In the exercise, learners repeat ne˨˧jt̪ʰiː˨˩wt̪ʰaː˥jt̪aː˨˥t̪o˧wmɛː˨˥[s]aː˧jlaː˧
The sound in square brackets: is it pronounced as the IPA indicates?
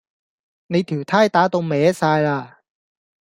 yes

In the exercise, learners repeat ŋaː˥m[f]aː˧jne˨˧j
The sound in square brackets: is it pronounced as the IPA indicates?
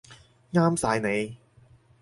no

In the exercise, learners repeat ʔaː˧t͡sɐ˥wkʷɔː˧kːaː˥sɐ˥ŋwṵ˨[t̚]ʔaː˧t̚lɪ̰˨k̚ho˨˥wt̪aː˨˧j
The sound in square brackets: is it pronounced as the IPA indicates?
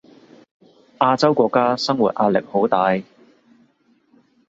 yes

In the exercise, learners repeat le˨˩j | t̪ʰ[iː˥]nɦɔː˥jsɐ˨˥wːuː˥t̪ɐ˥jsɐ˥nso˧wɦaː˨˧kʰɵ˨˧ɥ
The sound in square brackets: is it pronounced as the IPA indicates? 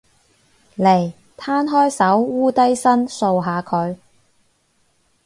no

